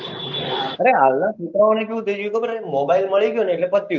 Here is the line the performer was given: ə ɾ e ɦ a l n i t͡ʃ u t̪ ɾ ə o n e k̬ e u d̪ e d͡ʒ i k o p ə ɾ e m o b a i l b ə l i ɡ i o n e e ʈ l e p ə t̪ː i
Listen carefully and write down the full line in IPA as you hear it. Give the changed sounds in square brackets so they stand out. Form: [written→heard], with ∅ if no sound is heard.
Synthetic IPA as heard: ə ɾ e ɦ a l n [i→a] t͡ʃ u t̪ ɾ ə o n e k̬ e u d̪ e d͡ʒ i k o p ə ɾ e m o b a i l [b→m] ə [l→ɭ] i ɡ [i→j] o n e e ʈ l e p ə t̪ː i